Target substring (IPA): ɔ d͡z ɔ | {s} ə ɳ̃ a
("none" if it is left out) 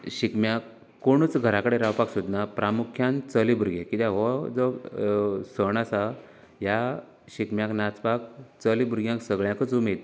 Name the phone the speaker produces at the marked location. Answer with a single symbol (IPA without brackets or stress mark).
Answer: s